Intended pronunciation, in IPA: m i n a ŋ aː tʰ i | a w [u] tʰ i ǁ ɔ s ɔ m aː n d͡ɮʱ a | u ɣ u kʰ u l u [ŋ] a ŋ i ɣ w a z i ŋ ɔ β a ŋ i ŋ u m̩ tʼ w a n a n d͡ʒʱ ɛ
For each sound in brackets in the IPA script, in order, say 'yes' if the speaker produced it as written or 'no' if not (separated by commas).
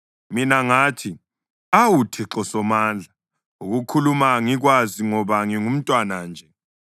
yes, no